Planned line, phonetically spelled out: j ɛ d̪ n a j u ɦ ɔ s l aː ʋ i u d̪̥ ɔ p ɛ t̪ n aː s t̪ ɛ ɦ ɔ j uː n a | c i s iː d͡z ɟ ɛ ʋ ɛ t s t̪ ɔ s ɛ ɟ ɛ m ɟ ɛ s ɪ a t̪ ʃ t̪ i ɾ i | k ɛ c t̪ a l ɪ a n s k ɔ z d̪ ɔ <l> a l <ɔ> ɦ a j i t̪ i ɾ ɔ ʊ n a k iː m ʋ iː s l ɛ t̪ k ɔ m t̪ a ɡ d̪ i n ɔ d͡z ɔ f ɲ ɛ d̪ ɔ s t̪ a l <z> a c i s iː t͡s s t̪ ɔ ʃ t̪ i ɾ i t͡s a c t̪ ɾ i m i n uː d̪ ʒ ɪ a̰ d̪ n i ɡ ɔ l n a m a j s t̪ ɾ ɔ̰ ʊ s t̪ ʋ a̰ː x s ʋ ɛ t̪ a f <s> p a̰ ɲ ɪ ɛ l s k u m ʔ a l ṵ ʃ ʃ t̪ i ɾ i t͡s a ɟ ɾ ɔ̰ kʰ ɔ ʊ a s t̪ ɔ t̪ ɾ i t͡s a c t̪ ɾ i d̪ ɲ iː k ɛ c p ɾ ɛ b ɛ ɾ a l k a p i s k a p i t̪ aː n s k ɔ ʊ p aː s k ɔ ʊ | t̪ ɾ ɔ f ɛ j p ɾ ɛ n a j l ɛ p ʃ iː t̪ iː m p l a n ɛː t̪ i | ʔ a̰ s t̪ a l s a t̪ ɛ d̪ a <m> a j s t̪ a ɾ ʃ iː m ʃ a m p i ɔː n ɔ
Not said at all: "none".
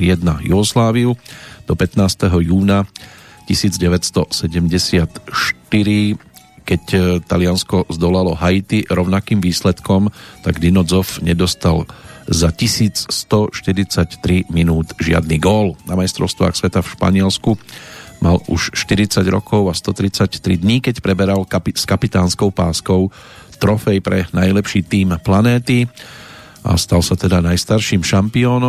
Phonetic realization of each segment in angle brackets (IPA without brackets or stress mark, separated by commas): l, ɔ, z, ʃ, n